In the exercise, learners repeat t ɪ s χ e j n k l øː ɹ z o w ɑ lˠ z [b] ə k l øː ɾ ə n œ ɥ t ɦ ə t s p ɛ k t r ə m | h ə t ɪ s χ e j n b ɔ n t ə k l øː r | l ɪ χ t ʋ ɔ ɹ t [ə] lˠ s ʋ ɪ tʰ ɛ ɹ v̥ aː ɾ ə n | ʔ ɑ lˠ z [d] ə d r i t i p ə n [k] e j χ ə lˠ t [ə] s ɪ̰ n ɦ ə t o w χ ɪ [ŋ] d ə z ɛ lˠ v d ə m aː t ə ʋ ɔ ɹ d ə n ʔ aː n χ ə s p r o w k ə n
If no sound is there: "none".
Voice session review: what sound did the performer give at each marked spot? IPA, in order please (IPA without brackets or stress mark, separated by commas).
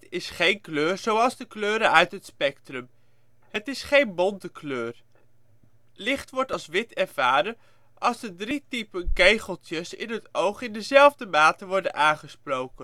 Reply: d, ɑ, d, k, ə, n